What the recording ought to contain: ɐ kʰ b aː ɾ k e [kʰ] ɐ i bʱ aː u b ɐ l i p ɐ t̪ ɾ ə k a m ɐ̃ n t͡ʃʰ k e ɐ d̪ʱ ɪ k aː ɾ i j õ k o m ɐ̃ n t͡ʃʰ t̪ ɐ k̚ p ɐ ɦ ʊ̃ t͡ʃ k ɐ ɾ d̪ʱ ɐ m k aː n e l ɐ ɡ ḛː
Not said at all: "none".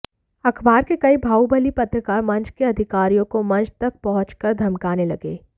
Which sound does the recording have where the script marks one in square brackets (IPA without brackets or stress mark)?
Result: k